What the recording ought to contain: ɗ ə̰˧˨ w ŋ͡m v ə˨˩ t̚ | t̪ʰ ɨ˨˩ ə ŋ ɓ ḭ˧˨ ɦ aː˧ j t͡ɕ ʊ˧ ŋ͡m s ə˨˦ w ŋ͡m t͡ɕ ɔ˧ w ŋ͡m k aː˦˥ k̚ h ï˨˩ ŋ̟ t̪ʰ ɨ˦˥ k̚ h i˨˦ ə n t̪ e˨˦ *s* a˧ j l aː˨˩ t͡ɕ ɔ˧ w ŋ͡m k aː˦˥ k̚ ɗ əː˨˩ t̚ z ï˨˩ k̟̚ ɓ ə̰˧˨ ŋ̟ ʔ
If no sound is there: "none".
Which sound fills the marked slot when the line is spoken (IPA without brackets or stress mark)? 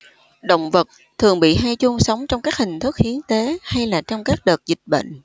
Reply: h